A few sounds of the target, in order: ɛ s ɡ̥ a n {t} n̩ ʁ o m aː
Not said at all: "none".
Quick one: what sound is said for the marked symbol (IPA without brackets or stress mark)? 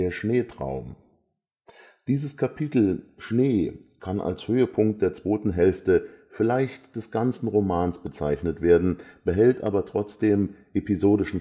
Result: t͡s